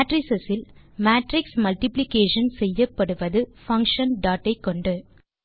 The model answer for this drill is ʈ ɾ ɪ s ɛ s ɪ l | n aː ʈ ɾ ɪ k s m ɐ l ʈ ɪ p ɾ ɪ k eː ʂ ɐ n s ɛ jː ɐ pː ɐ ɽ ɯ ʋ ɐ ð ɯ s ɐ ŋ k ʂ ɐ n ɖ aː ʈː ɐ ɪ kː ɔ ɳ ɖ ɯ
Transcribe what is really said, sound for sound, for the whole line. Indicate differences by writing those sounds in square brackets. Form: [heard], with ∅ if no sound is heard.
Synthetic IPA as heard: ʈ ɾ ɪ s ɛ s ɪ l | [m] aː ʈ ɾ ɪ k s m ɐ l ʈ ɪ p [l] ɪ k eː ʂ ɐ n s ɛ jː ɐ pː ɐ ɽ ɯ ʋ ɐ ð ɯ [f] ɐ ŋ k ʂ ɐ n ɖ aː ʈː ɐ ɪ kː ɔ ɳ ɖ ɯ